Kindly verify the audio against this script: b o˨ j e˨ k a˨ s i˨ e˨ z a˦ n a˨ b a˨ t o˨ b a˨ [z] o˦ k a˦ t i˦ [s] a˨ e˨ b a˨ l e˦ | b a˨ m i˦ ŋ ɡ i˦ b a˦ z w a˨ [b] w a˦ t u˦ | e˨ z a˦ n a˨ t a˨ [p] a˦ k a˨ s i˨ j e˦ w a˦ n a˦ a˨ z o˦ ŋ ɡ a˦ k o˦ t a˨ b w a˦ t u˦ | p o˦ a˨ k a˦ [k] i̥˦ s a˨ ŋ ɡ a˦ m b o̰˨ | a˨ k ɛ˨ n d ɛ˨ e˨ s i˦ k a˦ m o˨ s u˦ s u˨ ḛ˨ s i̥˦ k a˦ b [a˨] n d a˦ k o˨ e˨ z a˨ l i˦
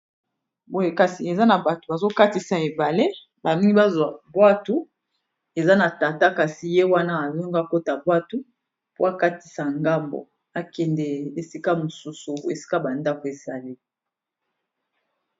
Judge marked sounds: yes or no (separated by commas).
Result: yes, yes, yes, no, no, yes